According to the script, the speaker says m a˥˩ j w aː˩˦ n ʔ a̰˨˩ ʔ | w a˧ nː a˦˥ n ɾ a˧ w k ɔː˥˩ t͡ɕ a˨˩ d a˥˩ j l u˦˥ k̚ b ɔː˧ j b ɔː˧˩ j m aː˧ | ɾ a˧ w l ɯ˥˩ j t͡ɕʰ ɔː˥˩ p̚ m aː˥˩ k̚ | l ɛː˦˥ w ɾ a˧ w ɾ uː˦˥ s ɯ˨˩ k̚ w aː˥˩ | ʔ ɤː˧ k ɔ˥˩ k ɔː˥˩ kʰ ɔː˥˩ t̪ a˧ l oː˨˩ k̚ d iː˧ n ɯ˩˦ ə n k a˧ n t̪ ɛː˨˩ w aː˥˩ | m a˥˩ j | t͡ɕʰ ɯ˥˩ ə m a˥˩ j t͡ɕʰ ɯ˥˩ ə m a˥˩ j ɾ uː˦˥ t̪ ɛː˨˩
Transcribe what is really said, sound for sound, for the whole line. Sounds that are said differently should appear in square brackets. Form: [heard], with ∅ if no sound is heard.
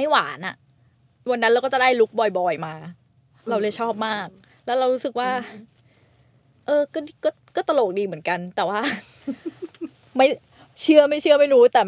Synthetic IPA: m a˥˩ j w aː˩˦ n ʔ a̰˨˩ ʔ | w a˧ nː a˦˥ n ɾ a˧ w k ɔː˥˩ t͡ɕ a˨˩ d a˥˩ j l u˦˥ k̚ b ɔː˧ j b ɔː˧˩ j m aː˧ | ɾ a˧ w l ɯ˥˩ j t͡ɕʰ ɔː˥˩ p̚ m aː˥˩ k̚ | l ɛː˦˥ w ɾ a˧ w ɾ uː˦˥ s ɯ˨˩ k̚ w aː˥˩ | ʔ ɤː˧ k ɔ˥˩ k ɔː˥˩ [k] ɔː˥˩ t̪ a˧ l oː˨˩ k̚ d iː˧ [m] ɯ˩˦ ə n k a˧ n t̪ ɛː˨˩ w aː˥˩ | m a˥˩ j | t͡ɕʰ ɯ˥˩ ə m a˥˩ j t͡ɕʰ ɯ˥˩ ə m a˥˩ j ɾ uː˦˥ t̪ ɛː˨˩